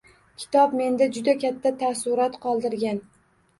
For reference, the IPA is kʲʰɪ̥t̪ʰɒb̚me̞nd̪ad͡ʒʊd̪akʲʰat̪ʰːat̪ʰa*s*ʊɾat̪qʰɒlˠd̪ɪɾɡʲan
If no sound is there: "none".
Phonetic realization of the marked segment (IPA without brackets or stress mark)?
s